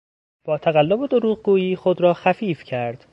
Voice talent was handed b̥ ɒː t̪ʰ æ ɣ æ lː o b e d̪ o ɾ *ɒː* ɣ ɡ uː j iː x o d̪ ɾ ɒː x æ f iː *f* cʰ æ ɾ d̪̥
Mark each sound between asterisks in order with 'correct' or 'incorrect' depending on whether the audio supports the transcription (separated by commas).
incorrect, correct